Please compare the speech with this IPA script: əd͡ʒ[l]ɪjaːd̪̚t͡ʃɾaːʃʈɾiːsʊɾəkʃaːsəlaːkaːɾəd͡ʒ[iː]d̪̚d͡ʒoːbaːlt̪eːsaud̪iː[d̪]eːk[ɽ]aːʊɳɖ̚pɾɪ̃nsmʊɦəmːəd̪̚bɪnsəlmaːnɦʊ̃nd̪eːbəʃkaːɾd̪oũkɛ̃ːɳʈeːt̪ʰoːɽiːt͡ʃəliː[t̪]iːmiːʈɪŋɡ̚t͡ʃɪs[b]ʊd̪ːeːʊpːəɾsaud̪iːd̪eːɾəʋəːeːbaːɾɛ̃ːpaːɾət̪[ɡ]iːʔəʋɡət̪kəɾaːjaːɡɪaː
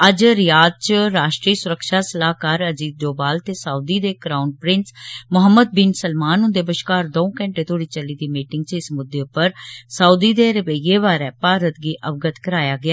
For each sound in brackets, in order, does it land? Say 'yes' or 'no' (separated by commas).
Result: no, yes, yes, no, no, no, yes